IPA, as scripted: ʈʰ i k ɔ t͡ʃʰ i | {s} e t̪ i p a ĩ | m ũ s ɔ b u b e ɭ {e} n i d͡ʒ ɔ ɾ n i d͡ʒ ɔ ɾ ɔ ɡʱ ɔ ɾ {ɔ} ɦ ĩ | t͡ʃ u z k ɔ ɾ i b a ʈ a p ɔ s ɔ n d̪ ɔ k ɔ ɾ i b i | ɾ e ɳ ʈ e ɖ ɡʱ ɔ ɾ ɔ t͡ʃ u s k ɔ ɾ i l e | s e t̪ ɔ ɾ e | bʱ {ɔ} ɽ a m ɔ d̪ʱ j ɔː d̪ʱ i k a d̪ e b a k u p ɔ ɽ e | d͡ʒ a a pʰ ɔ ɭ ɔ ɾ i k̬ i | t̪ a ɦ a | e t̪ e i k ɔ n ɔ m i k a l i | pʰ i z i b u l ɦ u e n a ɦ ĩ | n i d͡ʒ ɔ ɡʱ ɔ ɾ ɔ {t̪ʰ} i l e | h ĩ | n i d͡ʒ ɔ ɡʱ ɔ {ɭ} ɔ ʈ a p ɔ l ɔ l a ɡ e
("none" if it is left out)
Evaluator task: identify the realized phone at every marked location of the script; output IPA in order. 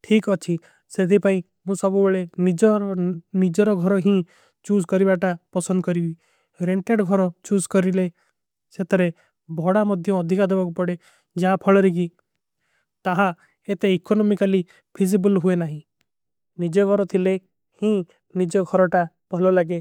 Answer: s, e, ɔ, ɔ, t̪ʰ, ɾ

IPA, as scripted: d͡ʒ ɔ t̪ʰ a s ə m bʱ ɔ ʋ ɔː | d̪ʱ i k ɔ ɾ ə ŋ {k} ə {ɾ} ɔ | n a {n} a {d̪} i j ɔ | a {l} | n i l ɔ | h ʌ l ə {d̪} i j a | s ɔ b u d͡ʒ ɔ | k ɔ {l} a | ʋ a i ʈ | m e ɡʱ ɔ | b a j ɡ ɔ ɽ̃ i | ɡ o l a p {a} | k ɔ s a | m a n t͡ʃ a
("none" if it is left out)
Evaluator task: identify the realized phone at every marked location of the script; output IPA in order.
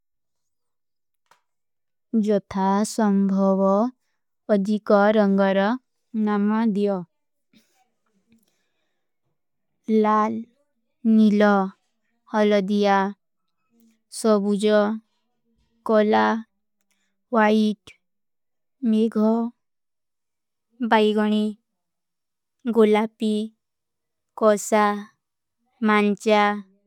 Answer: ɡ, ɾ, m, d̪, l, d̪, l, i

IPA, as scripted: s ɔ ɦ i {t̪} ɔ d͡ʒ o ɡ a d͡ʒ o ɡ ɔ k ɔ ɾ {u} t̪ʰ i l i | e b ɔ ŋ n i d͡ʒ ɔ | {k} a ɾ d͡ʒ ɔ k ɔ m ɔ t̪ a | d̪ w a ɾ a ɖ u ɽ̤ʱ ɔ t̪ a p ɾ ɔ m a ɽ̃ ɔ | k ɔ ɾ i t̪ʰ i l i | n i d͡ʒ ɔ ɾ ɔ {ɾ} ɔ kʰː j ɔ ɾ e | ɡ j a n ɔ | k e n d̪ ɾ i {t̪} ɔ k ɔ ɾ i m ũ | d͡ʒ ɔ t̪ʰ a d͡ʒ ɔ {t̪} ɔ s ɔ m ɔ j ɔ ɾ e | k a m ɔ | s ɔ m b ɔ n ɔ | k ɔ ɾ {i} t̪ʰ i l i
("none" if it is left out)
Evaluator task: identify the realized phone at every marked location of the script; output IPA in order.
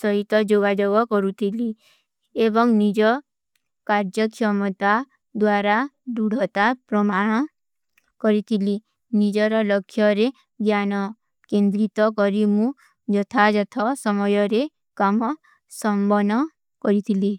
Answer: t̪, u, k, l, t̪, t̪ʰ, i

